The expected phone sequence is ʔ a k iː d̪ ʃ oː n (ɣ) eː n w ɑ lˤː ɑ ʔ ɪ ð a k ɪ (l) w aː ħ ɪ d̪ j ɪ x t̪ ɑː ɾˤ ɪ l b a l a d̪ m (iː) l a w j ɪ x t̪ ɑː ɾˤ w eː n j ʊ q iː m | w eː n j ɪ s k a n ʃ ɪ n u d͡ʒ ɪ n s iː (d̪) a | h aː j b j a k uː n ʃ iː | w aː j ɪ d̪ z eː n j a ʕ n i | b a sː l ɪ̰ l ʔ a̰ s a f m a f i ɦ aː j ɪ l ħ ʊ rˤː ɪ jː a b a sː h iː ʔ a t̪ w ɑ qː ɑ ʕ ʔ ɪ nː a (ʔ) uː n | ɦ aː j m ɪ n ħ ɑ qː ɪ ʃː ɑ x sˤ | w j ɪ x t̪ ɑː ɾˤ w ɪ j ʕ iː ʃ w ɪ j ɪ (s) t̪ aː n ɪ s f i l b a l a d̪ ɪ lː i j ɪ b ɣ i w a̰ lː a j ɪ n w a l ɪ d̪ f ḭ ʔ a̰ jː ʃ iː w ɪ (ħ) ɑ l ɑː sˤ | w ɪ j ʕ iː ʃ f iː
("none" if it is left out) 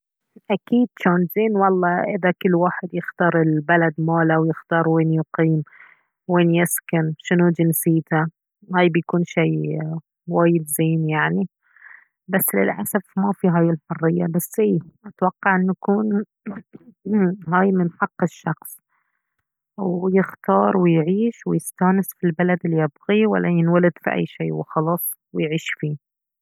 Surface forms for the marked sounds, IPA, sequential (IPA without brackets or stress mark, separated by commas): z, lː, aː, t̪, k, s, x